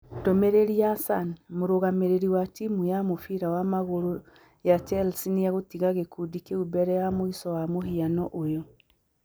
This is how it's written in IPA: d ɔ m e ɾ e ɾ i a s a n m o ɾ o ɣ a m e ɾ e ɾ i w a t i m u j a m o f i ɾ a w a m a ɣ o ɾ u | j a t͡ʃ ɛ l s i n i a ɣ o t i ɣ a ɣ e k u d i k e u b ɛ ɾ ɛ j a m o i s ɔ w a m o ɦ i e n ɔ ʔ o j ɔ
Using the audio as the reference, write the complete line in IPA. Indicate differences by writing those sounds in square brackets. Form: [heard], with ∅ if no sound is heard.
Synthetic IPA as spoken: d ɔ m e ɾ e ɾ i a s a n m o ɾ o ɣ a m e ɾ e ɾ i w a t i m u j a m o f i ɾ a w a m a ɣ o ɾ [o] | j a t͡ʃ ɛ l s i n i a ɣ o t i ɣ a ɣ e k u d i k e u b ɛ ɾ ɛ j a m o i s ɔ w a m o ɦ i [a] n ɔ ʔ o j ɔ